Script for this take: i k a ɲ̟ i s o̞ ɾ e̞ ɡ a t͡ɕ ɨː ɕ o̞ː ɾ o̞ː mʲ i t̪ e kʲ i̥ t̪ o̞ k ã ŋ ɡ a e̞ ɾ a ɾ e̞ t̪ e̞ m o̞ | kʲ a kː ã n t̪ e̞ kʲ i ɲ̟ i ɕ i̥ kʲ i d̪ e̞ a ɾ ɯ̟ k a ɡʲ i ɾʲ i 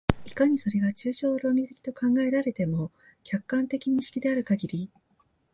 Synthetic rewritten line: i k a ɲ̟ i s o̞ ɾ e̞ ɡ a t͡ɕ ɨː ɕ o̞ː ɾ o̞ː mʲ i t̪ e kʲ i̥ t̪ o̞ k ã ŋ ɡ a e̞ ɾ a ɾ e̞ t̪ e̞ m o̞ | kʲ a kː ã n t̪ e̞ kʲ i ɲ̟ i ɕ i̥ kʲ i d̪ e̞ a ɾ ɯ̟ k a ɡʲ i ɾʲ i